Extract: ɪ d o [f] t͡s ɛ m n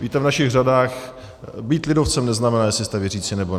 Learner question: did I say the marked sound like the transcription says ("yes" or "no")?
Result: yes